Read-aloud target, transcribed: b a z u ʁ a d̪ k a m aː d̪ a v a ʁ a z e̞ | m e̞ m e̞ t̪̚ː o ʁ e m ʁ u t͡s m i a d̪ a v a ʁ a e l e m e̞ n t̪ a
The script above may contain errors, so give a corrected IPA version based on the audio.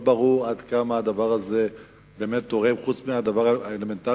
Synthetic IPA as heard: b a ʁ u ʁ a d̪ k a m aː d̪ a v a ʁ a z e̞ | b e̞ m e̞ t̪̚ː o ʁ e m χ u t͡s m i a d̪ a v a ʁ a e l e m e̞ n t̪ a